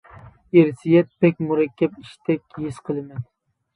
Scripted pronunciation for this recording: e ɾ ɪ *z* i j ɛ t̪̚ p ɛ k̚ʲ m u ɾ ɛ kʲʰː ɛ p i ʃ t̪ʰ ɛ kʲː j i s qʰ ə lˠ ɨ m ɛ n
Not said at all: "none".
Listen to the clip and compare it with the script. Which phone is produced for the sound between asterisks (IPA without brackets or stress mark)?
s